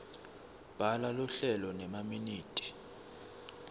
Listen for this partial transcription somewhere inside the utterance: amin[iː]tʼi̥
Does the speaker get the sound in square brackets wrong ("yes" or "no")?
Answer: no